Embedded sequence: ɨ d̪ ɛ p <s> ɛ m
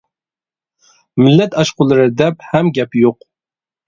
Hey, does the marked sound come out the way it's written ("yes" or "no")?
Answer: no